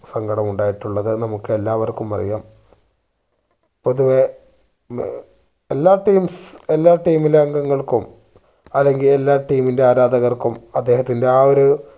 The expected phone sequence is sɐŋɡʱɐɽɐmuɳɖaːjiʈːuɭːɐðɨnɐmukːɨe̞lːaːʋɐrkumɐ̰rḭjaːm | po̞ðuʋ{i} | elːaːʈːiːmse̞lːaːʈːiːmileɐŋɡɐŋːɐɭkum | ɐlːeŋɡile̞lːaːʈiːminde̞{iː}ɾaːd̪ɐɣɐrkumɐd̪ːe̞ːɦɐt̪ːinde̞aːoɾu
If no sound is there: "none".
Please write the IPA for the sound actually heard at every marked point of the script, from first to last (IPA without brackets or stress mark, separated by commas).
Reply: e, aː